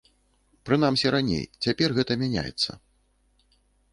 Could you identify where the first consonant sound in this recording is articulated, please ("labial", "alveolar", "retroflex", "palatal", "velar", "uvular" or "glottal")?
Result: labial